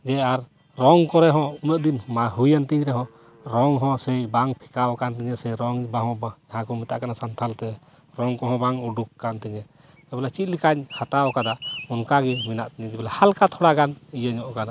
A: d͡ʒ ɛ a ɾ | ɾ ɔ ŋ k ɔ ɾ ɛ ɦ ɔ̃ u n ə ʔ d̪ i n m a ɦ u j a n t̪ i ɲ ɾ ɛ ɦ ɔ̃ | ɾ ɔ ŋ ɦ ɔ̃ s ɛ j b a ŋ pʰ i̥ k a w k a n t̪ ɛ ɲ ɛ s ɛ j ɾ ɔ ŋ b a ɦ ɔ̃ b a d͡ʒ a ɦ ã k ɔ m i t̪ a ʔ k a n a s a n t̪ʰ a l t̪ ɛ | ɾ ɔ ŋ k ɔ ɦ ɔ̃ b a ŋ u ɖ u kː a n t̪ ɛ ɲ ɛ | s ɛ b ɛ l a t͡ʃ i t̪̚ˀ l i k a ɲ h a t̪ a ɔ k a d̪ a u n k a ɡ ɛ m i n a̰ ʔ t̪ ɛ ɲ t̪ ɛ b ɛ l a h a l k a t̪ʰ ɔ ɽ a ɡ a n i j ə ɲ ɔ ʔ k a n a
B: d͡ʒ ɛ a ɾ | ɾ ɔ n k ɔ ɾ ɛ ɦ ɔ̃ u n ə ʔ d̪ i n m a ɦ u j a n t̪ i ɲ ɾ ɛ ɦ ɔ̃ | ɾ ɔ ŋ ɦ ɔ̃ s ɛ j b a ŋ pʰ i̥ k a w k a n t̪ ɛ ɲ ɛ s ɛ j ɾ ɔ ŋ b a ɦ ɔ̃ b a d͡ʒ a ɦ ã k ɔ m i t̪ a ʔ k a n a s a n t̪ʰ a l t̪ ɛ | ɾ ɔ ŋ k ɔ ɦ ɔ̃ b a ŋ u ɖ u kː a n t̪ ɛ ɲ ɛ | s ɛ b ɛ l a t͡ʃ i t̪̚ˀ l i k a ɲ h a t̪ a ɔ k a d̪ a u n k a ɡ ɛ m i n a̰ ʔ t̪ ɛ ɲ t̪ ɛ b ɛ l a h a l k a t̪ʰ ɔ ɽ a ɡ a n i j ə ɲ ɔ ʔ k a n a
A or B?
A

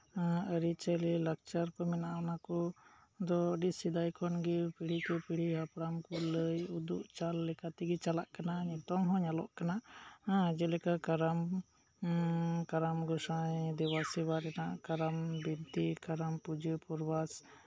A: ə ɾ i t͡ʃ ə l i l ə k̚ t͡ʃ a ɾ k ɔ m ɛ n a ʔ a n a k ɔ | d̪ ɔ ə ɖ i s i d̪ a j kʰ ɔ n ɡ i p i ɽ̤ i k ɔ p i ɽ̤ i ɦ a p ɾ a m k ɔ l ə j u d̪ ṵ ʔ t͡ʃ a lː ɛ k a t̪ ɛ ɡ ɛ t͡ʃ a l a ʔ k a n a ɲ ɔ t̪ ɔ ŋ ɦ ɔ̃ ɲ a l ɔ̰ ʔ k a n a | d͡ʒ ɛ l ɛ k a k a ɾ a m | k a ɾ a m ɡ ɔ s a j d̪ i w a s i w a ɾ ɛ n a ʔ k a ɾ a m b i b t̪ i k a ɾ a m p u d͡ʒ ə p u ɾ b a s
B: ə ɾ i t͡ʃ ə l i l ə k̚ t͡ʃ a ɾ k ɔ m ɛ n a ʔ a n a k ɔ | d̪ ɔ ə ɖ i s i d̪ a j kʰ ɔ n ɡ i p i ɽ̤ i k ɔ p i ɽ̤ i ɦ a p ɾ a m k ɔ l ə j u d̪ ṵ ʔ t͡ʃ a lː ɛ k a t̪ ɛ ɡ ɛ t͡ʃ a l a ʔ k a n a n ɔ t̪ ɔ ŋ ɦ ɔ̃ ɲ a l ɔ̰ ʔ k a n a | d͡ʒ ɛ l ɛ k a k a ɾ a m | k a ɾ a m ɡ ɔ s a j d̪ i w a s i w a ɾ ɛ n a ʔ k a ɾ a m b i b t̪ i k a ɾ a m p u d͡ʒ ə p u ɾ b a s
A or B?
A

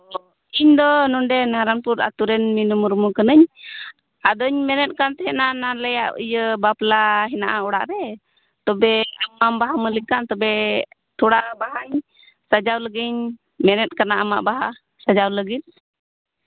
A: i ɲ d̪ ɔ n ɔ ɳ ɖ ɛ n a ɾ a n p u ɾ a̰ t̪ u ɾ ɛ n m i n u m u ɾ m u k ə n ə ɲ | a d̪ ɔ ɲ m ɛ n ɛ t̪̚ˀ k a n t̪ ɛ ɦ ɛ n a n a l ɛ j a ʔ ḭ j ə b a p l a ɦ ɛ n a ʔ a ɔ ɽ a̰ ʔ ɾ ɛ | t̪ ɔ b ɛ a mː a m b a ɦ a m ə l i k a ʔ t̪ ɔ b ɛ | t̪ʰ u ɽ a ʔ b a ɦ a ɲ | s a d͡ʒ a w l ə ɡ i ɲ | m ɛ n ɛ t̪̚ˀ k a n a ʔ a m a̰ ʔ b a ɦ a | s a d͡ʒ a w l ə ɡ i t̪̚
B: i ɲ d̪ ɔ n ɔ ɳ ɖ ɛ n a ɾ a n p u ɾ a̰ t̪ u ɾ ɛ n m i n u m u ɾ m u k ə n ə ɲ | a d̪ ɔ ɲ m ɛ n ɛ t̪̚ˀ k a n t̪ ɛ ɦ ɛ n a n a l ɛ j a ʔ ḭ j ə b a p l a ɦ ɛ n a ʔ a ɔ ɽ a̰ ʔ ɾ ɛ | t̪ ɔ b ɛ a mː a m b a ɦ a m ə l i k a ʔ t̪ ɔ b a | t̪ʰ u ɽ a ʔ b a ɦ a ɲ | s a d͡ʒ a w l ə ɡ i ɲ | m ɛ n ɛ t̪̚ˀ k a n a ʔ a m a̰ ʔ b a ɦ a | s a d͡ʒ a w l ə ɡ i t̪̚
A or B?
A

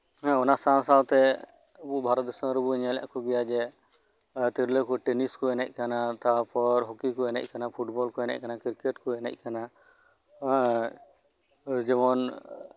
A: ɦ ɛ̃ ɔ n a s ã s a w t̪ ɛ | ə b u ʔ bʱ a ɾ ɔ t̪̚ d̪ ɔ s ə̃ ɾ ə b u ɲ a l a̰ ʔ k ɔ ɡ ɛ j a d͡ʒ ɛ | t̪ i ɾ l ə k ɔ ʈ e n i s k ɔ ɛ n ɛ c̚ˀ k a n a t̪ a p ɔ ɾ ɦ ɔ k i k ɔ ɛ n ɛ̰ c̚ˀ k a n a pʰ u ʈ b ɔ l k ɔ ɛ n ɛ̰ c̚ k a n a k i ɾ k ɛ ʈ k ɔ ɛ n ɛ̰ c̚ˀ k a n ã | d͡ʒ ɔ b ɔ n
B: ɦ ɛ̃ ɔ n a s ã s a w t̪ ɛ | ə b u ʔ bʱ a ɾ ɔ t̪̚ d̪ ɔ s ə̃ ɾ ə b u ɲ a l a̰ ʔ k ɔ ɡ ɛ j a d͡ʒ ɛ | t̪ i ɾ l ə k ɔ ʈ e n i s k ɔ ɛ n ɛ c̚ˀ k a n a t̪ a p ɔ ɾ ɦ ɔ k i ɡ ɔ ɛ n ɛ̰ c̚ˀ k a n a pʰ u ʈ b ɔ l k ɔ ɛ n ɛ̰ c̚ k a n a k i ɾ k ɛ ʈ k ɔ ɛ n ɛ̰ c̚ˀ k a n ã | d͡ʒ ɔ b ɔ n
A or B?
A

